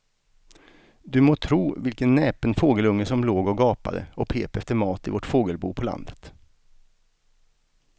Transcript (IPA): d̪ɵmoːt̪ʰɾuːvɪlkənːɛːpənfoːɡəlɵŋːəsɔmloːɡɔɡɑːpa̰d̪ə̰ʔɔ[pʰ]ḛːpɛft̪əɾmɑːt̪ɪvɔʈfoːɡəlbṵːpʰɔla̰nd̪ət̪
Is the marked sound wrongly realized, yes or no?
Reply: no